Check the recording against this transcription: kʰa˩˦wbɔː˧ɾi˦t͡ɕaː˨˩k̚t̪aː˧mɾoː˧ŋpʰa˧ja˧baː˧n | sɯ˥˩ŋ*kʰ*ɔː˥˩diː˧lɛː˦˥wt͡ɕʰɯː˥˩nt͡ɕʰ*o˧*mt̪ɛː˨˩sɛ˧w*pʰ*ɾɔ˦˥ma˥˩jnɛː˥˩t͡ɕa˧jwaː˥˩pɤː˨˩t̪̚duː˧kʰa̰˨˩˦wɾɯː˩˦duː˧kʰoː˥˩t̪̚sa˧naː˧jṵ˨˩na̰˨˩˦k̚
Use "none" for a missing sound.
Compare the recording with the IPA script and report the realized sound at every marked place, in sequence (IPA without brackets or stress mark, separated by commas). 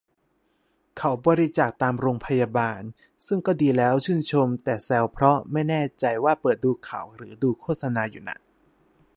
k, o˧, pʰ